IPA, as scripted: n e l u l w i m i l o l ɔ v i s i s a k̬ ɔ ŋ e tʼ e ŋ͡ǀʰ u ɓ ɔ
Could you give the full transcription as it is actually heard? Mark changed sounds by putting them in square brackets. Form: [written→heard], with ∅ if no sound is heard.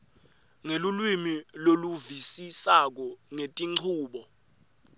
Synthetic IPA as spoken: [n→ŋ] e l u l w i m i l o l [ɔ→u] v i s i s a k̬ ɔ ŋ e tʼ [e→i] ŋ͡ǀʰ [u→uː] ɓ ɔ

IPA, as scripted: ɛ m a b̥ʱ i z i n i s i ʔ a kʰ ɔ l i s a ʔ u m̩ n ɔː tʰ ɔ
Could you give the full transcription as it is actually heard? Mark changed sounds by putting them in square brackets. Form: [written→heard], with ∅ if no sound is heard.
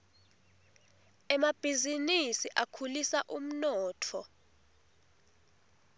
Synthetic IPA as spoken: ɛ m a b̥ʱ i z i n i s i ʔ a kʰ [ɔ→u] l i s a ʔ u m̩ n ɔː tʰ ɔ

